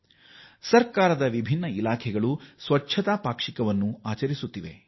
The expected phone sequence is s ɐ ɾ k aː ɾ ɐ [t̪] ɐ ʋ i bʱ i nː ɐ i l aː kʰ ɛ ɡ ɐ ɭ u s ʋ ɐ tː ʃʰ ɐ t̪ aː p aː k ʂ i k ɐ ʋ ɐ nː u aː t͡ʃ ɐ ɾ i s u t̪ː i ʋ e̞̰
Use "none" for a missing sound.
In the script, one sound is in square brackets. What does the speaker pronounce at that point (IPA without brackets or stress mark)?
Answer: d̪